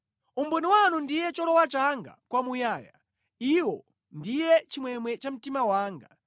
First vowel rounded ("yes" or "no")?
yes